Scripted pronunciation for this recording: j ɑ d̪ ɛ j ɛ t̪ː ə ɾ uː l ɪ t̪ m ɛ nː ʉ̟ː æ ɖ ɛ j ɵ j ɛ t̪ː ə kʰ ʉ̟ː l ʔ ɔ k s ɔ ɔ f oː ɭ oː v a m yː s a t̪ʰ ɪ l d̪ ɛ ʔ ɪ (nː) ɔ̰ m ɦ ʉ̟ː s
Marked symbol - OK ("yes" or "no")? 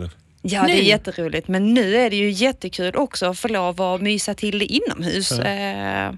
yes